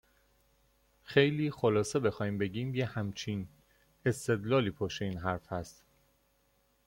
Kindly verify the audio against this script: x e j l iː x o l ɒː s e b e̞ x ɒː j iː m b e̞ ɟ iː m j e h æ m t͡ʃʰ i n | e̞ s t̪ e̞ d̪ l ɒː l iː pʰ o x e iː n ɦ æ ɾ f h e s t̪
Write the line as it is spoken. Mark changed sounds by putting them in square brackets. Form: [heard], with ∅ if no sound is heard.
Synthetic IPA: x e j l iː x o l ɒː s e b e̞ x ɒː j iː m b e̞ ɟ iː m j e h æ m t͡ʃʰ i n | e̞ s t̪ e̞ d̪ l ɒː l iː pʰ o [ʃ] e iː n ɦ æ ɾ f h [æ] s t̪